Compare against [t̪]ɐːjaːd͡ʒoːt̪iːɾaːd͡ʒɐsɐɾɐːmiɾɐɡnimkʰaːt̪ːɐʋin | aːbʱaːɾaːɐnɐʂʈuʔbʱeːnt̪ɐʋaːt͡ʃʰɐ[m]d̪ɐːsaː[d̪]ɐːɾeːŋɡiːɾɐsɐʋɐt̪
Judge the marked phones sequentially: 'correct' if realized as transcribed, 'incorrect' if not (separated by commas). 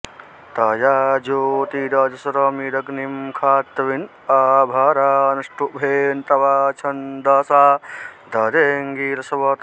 correct, incorrect, correct